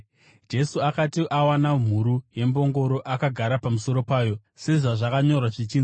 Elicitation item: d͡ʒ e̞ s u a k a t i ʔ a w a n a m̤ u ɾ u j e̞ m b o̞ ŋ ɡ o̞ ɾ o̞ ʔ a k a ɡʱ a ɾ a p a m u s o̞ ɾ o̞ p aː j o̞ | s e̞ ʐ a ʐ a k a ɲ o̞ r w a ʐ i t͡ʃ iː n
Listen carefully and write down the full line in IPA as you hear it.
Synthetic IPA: d͡ʒ e̞ s u a k a t i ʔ a w a n a m̤ u ɾ u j e̞ m b o̞ ŋ ɡ o̞ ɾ o̞ ʔ a k a ɡʱ a ɾ a p a m u s o̞ ɾ o̞ p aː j o̞ | s e̞ ʐ a ʐ a k a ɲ o̞ r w a ʐ i t͡ʃ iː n